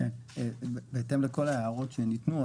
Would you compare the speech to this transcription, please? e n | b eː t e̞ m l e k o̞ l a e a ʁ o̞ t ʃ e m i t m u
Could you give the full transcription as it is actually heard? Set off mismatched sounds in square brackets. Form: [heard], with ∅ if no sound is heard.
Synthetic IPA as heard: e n | b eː t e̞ m l e k o̞ l a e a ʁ o̞ t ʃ e [n] i t [n] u